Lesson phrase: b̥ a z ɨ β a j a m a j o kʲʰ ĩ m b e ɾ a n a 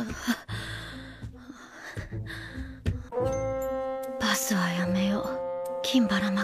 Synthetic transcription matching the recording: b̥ a s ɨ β a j a m e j o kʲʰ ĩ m b a ɾ a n a